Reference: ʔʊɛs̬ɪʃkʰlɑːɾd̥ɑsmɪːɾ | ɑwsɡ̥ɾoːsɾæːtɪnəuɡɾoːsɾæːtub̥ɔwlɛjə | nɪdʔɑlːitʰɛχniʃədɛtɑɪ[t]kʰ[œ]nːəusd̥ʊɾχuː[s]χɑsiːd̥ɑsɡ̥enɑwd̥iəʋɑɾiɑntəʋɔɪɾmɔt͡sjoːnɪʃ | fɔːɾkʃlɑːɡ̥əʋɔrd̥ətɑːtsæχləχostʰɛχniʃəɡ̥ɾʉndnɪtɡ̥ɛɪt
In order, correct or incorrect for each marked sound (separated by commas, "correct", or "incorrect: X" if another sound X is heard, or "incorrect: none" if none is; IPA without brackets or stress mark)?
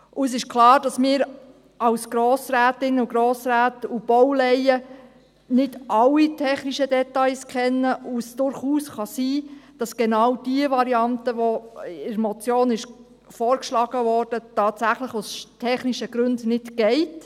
incorrect: s, incorrect: ɛ, correct